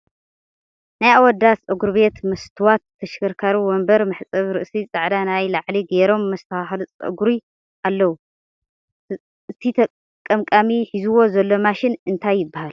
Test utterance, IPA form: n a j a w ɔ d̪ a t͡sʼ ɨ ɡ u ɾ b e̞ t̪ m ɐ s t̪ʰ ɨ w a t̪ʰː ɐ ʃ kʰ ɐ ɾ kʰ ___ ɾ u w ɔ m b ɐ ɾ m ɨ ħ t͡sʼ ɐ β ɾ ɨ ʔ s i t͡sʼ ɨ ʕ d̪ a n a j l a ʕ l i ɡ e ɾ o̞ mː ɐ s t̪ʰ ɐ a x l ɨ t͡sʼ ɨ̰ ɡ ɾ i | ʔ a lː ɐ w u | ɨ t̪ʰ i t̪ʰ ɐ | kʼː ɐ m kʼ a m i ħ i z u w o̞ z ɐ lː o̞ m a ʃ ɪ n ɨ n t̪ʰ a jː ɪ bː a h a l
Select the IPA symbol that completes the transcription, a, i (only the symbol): a